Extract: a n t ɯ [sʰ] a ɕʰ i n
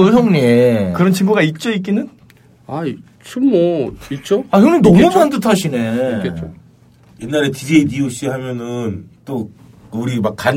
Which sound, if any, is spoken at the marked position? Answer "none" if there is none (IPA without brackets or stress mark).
tʰ